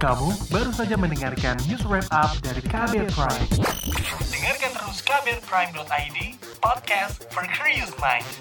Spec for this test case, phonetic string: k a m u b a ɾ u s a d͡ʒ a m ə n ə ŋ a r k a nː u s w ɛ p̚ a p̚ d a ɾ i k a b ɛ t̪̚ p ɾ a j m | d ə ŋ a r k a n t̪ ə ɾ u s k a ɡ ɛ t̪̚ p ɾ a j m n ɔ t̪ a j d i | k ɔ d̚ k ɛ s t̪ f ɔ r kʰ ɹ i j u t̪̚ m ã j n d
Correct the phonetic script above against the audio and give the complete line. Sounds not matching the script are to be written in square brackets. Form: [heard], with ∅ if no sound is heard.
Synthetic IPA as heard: k a m u b a ɾ u s a d͡ʒ a m ə n ə ŋ a r k a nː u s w ɛ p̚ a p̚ d a ɾ i k a b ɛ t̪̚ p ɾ a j m | d ə ŋ a r k a n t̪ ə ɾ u s k a [b] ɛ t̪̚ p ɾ a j m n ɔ t̪ a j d i | [p] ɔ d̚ k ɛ s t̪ f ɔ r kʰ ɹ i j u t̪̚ m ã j n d